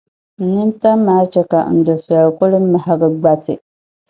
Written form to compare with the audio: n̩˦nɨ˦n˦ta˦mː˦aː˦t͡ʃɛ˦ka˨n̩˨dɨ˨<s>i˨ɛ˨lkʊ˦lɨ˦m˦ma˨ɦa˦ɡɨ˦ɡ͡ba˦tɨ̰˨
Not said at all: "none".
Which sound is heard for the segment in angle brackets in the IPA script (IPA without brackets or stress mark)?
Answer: f